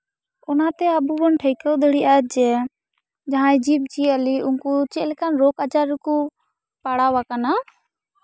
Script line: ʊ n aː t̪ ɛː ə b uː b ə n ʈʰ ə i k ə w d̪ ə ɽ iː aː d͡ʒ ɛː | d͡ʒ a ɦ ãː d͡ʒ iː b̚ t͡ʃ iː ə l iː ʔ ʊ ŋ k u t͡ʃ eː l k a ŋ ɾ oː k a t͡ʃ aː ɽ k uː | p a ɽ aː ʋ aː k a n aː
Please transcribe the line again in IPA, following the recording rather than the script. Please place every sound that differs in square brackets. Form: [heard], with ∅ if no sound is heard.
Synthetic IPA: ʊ n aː t̪ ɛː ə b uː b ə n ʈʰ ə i k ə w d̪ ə ɽ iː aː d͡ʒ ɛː | d͡ʒ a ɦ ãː d͡ʒ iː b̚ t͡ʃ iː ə l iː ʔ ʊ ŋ k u t͡ʃ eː l k a [n] ɾ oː k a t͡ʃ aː [ɾ] k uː | p a ɽ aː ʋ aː k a n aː